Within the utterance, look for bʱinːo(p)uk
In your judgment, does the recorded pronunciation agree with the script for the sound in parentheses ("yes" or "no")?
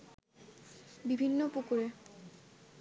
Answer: yes